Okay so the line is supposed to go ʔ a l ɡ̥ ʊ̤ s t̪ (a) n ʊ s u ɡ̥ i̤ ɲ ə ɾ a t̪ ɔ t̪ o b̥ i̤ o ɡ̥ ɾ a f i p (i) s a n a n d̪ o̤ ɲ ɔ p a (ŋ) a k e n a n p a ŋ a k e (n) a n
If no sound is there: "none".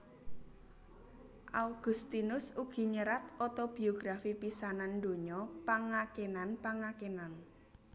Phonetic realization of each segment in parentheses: i, i, ŋ, n

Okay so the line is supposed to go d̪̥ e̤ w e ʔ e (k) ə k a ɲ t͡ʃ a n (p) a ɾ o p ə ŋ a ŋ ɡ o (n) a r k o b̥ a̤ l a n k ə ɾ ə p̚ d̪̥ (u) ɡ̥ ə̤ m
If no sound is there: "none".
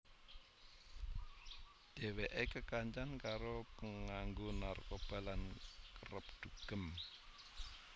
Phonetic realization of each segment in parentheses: k, k, n, u

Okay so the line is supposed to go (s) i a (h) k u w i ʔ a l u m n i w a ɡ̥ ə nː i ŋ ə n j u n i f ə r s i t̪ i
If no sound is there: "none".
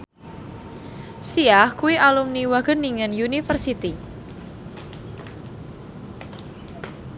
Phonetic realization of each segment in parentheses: s, h

